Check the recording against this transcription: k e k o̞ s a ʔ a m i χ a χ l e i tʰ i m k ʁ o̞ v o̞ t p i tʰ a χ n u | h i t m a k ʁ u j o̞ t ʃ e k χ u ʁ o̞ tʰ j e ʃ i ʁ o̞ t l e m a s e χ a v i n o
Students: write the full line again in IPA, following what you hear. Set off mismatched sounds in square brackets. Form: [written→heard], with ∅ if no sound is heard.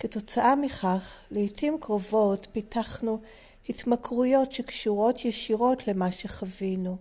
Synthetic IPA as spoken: k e [k→t] o̞ [s→t͡s] a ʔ a m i χ a χ l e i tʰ i m k ʁ o̞ v o̞ t p i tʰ a χ n u | h i t m a k ʁ u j o̞ t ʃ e k [χ→ʃ] u ʁ o̞ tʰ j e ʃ i ʁ o̞ t l e m a [s→ʃ] e χ a v i n [o→u]